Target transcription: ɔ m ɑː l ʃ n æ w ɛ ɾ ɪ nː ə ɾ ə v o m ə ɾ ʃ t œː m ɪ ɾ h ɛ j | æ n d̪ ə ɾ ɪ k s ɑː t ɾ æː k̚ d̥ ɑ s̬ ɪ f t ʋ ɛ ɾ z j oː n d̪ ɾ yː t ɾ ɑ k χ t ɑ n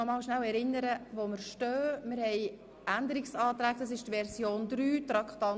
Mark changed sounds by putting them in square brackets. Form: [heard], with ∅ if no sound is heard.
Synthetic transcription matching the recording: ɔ m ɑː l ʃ n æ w ɛ ɾ ɪ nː ə ɾ ə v o m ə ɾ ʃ t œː m ɪ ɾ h ɛ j | æ n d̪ ə ɾ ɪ k s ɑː t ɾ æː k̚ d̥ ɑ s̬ ɪ [ʃ] t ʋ ɛ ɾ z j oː n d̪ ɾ yː t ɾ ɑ k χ t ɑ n